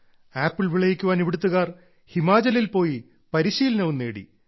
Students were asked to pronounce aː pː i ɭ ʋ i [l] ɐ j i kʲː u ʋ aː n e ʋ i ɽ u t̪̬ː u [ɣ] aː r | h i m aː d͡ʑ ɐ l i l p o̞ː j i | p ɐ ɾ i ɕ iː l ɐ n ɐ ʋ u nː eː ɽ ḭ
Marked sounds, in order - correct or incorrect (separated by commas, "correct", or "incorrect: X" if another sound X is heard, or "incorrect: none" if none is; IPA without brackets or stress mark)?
incorrect: ɭ, correct